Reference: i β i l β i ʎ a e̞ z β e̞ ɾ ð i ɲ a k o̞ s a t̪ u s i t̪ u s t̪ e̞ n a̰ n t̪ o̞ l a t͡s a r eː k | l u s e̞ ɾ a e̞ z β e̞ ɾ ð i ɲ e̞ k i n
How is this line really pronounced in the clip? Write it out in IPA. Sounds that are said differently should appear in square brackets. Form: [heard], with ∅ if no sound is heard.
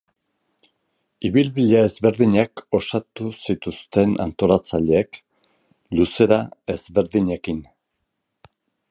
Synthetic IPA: i β i l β i ʎ a e̞ z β e̞ ɾ ð i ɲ a k o̞ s a t̪ u s i t̪ u s t̪ e̞ n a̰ n t̪ o̞ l a t͡s a [ʎ] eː k | l u s e̞ ɾ a e̞ z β e̞ ɾ ð i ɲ e̞ k i n